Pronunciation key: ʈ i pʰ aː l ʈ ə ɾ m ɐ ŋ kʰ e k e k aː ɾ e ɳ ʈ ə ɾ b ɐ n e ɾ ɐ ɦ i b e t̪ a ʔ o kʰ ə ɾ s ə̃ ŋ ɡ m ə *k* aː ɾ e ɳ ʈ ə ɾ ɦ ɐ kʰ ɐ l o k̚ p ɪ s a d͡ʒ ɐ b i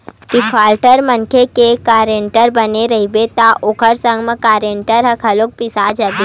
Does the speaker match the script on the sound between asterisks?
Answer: yes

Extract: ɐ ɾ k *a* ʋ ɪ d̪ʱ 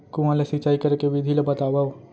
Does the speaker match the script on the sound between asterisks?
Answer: no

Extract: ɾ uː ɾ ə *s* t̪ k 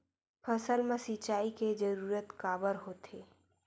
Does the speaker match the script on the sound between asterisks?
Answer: no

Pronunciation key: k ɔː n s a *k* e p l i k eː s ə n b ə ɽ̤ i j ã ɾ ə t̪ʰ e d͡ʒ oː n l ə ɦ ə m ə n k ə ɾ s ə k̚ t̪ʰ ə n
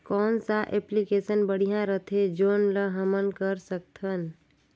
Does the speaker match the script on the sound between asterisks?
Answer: no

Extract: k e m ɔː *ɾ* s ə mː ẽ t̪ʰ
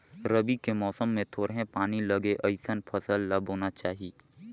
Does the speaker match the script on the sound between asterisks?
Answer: no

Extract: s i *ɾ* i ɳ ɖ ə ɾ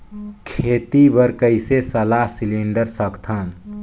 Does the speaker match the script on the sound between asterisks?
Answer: no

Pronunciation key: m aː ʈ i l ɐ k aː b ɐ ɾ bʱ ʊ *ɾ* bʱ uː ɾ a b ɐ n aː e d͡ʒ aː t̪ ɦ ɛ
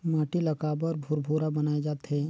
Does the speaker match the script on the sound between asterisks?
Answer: yes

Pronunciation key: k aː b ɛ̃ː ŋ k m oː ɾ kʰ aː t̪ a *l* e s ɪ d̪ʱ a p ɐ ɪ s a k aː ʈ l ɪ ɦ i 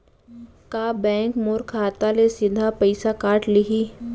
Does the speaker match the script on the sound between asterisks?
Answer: yes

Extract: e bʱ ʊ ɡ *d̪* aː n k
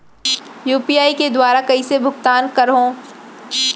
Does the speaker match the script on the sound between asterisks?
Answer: no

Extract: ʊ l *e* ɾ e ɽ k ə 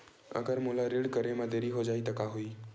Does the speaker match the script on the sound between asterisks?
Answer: no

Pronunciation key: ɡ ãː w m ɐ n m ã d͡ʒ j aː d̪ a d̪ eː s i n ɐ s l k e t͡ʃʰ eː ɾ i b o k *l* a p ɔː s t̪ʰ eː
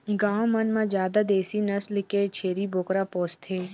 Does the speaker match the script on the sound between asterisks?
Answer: no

